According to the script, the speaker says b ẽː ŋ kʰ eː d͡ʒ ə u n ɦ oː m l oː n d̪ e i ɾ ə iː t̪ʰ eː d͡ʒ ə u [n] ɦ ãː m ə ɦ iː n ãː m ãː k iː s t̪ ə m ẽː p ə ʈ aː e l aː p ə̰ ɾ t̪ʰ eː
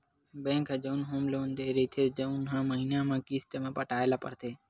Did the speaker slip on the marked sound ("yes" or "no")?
no